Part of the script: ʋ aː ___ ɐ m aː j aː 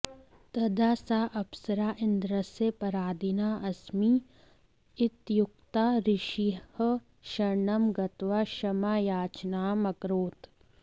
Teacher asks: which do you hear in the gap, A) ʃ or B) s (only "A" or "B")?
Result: A